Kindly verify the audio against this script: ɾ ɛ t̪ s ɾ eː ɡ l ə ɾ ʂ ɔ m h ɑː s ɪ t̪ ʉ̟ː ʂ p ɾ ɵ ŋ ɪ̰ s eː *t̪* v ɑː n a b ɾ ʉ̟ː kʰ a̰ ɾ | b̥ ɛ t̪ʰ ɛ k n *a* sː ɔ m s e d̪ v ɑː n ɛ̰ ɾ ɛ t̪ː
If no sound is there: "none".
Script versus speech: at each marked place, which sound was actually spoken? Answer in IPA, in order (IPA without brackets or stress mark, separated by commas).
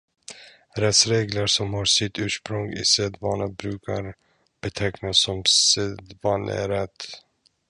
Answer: d̪, a